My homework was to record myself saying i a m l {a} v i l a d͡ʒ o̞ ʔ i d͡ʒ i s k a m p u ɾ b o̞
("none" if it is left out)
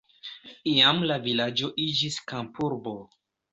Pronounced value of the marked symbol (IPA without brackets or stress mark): a